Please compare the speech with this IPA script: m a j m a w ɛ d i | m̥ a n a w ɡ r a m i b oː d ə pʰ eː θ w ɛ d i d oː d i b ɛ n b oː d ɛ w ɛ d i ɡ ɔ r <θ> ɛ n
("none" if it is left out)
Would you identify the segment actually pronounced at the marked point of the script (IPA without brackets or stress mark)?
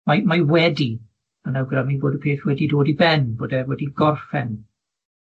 f